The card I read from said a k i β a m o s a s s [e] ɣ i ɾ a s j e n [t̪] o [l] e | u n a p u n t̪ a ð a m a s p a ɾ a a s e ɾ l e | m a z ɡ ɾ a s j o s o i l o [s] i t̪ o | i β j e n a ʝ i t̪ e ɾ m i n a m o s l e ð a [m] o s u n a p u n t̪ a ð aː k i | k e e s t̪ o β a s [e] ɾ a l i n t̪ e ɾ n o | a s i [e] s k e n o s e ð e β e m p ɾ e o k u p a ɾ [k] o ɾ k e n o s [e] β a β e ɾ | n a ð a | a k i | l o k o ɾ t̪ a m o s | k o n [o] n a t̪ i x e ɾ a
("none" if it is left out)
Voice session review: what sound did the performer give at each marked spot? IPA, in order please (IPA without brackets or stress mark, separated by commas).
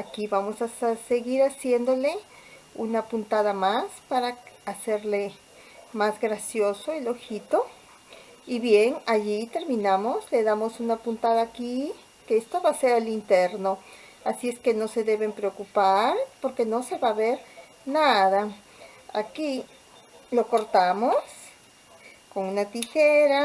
e, d̪, l, x, m, e, e, p, e, u